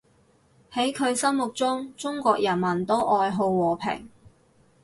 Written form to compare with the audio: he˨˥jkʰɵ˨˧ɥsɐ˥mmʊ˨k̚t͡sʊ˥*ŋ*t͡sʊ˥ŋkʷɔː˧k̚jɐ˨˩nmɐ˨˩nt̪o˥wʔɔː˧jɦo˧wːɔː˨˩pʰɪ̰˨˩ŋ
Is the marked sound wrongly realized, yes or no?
no